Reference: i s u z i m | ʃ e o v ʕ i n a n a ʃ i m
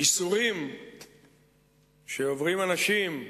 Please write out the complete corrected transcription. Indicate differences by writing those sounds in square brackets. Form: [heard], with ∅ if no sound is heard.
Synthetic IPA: i s u [ʁ] i m | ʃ e o v [ʁ] i [m] a n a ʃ i m